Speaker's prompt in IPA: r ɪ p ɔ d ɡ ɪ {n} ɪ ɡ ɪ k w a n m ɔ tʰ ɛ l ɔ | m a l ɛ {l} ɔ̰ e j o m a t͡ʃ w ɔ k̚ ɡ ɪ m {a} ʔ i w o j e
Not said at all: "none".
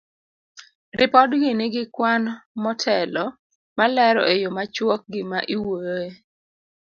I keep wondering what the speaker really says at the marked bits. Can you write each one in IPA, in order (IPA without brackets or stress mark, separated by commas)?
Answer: n, ɾ, a